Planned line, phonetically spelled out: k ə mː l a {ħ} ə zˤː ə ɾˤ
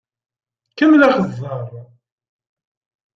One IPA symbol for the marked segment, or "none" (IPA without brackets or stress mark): χ